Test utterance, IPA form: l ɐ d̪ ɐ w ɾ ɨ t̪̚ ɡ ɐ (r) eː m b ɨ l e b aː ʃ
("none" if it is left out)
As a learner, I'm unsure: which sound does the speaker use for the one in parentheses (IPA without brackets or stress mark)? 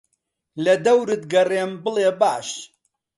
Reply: r